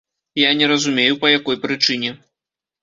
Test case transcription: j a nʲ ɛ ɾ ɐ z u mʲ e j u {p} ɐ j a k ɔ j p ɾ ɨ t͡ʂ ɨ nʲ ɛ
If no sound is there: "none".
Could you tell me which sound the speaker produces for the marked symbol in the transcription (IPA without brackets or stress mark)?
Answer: p